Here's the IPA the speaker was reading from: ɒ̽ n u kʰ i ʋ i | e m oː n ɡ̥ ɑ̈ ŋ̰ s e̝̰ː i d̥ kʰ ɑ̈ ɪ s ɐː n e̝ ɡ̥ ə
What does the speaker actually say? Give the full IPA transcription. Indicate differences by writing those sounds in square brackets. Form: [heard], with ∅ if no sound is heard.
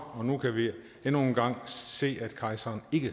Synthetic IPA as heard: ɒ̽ n u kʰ [æ] ʋ i | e [n] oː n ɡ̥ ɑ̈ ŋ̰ s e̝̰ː [æ] d̥ kʰ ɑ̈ ɪ s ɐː n e̝ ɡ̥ ə